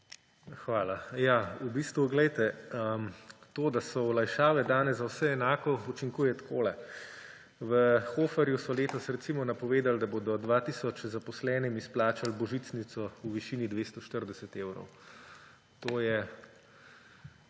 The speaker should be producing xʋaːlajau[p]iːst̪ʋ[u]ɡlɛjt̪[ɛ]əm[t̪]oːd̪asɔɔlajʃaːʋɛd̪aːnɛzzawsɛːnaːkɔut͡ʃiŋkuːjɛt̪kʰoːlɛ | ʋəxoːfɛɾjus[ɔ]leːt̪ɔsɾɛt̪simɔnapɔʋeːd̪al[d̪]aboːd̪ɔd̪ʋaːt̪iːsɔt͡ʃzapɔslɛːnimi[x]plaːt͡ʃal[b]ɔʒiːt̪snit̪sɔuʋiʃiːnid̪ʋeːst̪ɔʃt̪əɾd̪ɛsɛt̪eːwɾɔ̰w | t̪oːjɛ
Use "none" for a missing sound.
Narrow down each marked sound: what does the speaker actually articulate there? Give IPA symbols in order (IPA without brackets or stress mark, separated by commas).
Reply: b, u, ɛ, t̪, ɔ, d̪, s, b